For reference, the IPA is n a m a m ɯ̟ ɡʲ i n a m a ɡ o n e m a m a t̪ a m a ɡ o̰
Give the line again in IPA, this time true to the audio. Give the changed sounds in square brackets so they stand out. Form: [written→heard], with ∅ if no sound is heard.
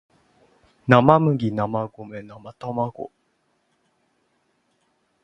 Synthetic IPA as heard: n a m a m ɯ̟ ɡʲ i n a m a ɡ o [n→m] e [m→n] a m a t̪ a m a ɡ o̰